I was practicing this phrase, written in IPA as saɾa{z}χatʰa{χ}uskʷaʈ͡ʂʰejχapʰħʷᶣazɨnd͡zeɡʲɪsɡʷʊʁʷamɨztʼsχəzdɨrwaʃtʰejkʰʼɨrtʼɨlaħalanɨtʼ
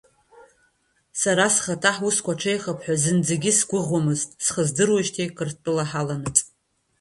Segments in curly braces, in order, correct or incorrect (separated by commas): incorrect, incorrect